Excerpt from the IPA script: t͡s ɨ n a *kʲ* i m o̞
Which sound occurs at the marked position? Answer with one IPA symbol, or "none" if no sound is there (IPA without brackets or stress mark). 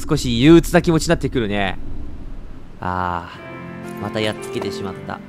kʲ